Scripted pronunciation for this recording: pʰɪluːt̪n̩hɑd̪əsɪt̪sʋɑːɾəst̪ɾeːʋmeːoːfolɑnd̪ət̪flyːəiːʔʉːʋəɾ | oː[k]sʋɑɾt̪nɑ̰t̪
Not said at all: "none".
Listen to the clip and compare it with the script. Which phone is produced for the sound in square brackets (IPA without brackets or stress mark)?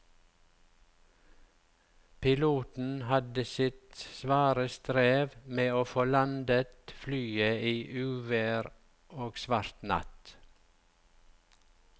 ɡ